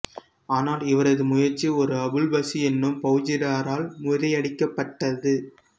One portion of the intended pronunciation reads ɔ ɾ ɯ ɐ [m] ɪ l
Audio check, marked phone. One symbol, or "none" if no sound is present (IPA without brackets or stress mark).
b